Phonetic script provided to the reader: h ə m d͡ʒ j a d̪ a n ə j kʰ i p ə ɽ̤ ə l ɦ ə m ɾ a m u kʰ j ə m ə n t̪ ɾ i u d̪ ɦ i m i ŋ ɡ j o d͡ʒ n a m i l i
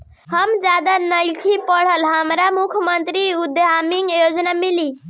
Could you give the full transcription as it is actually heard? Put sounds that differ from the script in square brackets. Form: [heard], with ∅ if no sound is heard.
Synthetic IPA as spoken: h ə m d͡ʒ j a d̪ a n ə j kʰ i p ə ɽ̤ ə l ɦ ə m ɾ a m u kʰ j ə m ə n t̪ ɾ i u d̪ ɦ [a] m i ŋ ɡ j o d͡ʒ n a m i l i

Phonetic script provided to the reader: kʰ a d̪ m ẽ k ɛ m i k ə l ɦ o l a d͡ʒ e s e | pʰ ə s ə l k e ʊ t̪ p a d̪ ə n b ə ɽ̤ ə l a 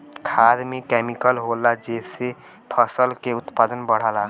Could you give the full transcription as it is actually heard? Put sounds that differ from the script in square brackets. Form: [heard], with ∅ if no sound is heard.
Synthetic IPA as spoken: kʰ a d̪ m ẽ k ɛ m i k ə l ɦ o l a d͡ʒ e s e | pʰ ə s ə l k e ʊ t̪ p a d̪ ə n b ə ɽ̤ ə l a

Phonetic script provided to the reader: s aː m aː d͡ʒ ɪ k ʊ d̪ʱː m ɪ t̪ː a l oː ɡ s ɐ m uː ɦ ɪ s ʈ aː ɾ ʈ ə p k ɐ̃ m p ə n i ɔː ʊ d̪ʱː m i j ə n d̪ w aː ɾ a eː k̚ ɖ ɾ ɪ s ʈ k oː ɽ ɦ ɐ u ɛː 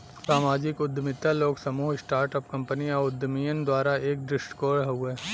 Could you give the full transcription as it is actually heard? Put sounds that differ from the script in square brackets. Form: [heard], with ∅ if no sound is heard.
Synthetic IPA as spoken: s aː m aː d͡ʒ ɪ k ʊ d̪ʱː m ɪ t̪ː a l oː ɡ s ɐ m uː ɦ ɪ s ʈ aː ɾ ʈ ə p k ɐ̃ m p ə n i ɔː ʊ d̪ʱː m i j ə n d̪ w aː ɾ a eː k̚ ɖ ɾ ɪ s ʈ k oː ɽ ɦ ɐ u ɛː

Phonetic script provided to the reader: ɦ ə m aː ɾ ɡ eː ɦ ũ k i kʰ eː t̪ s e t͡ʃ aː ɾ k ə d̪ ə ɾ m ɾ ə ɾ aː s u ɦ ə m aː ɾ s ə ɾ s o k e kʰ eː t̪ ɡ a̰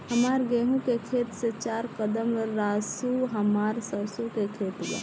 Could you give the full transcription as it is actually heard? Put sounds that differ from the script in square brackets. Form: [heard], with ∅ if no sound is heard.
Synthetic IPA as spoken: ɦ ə m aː ɾ ɡ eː ɦ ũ k [e] kʰ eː t̪ s e t͡ʃ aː ɾ k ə d̪ ə [∅] m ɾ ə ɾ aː s u ɦ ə m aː ɾ s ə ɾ s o k e kʰ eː t̪ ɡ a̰

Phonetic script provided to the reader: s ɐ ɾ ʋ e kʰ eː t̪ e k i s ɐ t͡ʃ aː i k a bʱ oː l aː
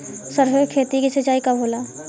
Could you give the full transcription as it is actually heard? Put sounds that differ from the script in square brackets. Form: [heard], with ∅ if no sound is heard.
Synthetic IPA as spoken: s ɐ ɾ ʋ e kʰ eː t̪ [i] k i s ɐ t͡ʃ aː i k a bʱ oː l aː

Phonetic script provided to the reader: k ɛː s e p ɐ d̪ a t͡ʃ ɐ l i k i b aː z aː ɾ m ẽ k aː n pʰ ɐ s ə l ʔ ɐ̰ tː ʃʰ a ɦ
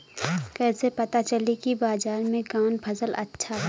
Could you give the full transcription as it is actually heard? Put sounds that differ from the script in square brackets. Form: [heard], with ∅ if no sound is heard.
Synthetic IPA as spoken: k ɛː s e p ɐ [t̪] a t͡ʃ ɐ l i k i b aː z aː ɾ m ẽ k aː n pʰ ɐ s ə l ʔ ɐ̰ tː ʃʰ a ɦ

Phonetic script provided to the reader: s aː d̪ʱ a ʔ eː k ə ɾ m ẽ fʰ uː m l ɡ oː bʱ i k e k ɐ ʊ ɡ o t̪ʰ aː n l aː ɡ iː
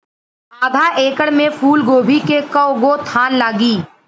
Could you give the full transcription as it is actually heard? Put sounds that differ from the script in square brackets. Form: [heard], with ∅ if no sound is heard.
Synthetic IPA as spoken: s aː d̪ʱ a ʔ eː k ə [ɽ] m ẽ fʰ uː [∅] l ɡ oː bʱ i k e k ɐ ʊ ɡ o t̪ʰ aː n l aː ɡ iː

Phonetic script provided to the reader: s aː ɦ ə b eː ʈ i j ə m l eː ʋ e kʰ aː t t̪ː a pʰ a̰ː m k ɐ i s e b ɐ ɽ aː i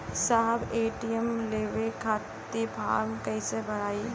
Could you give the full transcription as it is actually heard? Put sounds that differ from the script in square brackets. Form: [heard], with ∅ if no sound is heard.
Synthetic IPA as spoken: s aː ɦ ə b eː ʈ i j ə m l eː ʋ e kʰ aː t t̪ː [i] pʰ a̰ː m k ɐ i s e b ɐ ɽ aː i

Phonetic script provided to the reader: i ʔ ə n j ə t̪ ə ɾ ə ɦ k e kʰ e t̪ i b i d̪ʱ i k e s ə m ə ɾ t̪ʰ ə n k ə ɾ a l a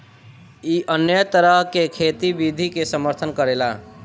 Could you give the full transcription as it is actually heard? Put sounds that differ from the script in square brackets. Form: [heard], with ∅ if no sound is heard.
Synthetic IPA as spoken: i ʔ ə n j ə t̪ ə ɾ ə ɦ k e kʰ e t̪ i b i d̪ʱ i k e s ə m ə ɾ t̪ʰ ə n k ə ɾ [e] l a

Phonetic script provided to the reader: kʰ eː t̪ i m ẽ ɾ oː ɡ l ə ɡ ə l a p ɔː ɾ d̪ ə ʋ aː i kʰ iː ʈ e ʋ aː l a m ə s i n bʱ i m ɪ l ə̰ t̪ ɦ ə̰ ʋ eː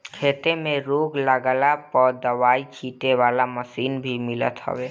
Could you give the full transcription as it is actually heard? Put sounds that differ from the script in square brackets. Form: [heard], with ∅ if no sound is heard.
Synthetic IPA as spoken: kʰ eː t̪ [e] m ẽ ɾ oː ɡ l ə ɡ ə l a p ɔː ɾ d̪ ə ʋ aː i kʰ iː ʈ e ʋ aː l a m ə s [iː] n bʱ i m ɪ l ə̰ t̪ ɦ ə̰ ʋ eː

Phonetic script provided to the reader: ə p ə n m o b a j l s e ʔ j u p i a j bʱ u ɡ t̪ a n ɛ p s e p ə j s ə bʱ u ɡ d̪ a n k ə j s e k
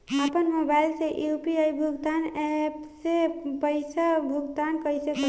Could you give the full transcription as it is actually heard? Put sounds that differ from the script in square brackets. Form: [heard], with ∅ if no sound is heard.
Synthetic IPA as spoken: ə p ə n m o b a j l s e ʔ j u p i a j bʱ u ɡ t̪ a n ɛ p s e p ə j s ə bʱ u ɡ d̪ a n k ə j s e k

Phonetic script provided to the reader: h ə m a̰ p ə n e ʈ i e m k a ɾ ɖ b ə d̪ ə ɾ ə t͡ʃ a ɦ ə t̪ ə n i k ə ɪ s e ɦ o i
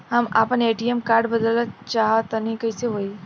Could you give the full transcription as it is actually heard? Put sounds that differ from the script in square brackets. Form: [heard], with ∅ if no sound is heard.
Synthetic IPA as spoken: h ə m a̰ p ə n e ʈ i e m k a ɾ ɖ b ə d̪ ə [l] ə t͡ʃ a ɦ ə t̪ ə n i k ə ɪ s e ɦ o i

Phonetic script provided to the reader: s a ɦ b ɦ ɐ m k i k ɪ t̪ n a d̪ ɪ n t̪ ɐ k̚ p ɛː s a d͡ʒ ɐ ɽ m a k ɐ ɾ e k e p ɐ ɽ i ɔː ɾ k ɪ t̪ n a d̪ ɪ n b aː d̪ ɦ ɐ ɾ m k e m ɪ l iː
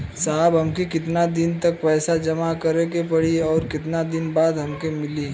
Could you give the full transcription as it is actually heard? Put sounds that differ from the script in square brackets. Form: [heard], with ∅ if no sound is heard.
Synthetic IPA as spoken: s a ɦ b ɦ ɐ m k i k ɪ t̪ n a d̪ ɪ n t̪ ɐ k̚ p ɛː s a d͡ʒ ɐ [∅] m a k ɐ ɾ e k e p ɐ ɽ i ɔː ɾ k ɪ t̪ n a d̪ ɪ n b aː d̪ ɦ ɐ [∅] m k e m ɪ l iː

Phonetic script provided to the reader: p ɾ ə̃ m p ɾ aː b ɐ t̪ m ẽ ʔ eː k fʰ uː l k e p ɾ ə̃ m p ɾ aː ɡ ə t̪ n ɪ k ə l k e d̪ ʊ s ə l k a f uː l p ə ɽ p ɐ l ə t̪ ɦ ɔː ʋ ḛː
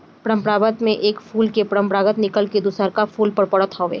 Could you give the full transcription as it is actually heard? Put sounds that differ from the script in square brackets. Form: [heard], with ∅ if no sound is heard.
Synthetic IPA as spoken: p ɾ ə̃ m p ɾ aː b [ə] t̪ m ẽ ʔ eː k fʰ uː l k e p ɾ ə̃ m p ɾ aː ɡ ə t̪ n ɪ k ə l k e d̪ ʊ s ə [ɾ] k a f uː l p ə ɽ p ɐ [ɽ] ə t̪ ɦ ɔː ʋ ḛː

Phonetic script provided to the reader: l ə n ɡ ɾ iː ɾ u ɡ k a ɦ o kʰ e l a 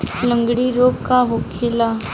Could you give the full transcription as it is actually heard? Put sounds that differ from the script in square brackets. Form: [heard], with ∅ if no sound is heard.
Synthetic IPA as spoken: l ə [ŋ] ɡ [ɽ] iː ɾ [o] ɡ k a ɦ o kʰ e l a

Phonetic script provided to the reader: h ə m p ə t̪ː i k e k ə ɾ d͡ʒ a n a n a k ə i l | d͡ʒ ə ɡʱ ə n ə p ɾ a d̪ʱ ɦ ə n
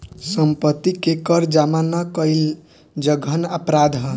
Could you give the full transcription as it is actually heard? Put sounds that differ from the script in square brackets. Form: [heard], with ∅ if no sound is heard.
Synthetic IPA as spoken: [s] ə m p ə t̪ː i k e k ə ɾ d͡ʒ a [m] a n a k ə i l | d͡ʒ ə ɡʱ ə n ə p ɾ a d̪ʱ ɦ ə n

